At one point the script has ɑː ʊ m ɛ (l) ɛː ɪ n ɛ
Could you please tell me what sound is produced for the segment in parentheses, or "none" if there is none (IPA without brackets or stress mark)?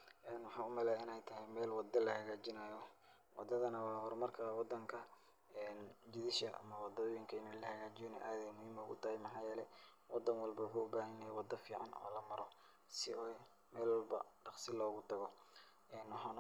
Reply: l